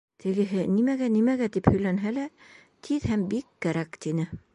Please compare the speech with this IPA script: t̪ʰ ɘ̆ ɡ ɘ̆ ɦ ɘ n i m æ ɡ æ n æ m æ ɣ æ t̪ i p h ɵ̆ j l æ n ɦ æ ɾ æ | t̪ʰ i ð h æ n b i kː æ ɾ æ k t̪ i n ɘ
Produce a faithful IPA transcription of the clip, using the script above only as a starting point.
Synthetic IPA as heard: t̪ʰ ɘ̆ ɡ ɘ̆ ɦ ɘ n i m æ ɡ æ n i m æ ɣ æ t̪ i p h ɵ̆ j l æ n ɦ æ l æ | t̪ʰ i ð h æ m b i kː æ ɾ æ k t̪ i n ɘ